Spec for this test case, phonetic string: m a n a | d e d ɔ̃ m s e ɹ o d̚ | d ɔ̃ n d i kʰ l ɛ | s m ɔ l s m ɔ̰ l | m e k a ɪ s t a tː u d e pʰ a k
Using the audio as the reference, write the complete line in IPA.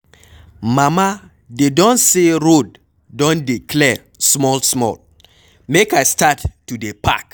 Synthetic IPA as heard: m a m a | d e d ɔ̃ n s e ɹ o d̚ | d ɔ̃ n d i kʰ l ɛ | s m ɔ l s m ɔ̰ l | m e k a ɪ s t a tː u d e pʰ a k